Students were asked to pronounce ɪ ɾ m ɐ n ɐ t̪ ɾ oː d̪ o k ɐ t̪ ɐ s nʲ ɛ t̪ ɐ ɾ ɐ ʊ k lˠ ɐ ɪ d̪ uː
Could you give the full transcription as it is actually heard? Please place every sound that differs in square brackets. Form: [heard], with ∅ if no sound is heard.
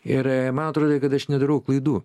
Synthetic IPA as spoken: ɪ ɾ m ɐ n ɐ t̪ ɾ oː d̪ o k ɐ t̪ ɐ [ʃ] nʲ ɛ [d̪] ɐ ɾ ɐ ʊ k lˠ ɐ ɪ d̪ uː